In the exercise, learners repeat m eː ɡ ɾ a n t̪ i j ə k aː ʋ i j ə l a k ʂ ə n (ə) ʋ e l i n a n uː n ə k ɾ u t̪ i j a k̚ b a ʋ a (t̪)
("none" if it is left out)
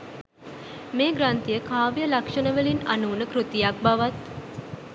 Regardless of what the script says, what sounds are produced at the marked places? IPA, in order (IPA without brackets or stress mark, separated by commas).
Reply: ə, t̪